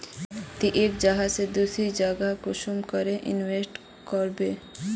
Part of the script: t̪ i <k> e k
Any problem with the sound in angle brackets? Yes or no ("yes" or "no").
yes